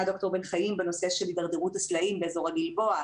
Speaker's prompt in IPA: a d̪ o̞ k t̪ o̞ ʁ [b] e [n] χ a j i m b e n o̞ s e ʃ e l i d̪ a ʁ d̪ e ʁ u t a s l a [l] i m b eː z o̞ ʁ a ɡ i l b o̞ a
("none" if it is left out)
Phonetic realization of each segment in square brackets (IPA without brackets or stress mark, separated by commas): b, n, none